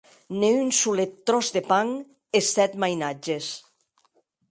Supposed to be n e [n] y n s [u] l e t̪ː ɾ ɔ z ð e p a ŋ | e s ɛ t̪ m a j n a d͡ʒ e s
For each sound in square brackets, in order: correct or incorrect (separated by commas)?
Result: incorrect, correct